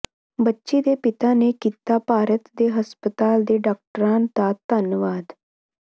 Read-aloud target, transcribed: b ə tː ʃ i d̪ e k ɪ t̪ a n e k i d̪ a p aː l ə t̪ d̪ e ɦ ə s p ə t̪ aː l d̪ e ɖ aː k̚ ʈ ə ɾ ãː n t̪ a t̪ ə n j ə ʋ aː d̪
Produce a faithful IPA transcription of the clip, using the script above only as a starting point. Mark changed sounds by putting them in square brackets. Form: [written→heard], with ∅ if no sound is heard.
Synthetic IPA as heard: b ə tː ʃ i d̪ e [k→p] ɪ t̪ a n e k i [d̪→t̪] a p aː [l→ɾ] ə t̪ d̪ e ɦ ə s p ə t̪ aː l d̪ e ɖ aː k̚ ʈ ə ɾ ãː n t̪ a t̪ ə n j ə ʋ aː d̪